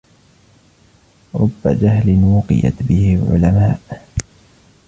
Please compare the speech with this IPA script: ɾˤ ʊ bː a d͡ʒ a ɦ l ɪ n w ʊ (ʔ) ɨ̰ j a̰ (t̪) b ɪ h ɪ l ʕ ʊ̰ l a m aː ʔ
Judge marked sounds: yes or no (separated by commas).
no, yes